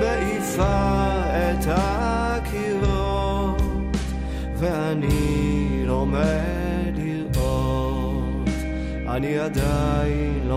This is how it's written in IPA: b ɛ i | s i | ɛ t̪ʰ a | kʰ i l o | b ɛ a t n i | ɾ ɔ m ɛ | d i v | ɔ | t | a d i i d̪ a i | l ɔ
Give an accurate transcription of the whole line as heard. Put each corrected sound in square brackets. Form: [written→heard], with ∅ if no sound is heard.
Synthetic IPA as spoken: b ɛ i | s [i→a] | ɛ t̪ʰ a | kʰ i l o | [b→v] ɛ a [t→∅] n i | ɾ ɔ m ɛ | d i [v→∅] | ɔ | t | a [d→n] i [i→a] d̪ a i | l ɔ